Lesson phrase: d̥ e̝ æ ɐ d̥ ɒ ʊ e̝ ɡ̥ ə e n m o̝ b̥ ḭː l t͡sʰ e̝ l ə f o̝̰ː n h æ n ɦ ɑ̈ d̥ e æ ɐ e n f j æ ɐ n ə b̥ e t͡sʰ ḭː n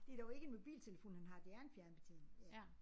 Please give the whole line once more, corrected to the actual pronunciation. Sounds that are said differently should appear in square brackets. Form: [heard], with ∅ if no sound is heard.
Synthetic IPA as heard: d̥ e̝ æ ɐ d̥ ɒ ʊ e̝ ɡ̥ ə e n m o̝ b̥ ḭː l t͡sʰ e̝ l ə f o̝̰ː n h æ n ɦ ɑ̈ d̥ e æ ɐ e n f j æ ɐ n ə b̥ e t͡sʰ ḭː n